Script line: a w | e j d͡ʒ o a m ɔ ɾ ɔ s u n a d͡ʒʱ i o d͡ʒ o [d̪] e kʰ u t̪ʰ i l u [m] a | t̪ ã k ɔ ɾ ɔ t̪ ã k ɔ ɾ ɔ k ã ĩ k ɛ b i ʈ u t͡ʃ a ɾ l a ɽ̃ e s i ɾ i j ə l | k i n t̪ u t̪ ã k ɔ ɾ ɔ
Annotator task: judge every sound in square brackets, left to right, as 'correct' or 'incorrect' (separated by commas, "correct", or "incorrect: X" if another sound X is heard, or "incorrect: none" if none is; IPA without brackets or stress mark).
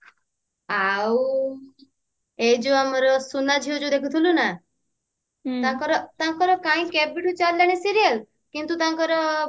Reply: correct, incorrect: n